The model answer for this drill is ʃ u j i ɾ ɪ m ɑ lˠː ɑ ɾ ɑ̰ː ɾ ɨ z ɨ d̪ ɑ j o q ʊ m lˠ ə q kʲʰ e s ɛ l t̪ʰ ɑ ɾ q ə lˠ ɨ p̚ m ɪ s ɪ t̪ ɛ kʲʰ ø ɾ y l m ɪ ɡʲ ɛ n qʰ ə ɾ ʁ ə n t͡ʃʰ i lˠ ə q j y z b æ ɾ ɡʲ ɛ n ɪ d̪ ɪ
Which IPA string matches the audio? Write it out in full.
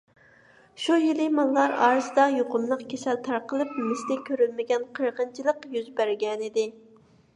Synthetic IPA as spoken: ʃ u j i l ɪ m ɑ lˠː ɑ ɾ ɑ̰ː ɾ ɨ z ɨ d̪ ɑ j o q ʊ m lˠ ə q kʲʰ e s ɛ l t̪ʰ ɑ ɾ q ə lˠ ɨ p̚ m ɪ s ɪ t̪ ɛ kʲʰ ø ɾ y l m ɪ ɡʲ ɛ n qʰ ə ɾ ʁ ə n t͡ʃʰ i lˠ ə q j y z b æ ɾ ɡʲ ɛ n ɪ d̪ ɪ